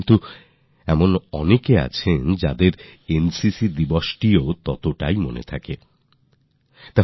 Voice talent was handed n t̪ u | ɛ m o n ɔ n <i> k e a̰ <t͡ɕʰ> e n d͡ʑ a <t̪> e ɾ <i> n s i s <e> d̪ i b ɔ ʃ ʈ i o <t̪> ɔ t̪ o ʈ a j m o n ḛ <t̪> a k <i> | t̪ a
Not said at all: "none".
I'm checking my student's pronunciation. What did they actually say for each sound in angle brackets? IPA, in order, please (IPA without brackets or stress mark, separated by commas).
e, t͡ɕʰ, d̪, e, i, t̪, t̪ʰ, e